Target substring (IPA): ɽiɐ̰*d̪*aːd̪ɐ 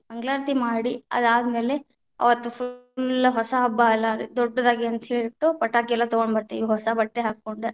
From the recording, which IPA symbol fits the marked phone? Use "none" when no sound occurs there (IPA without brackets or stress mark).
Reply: d̪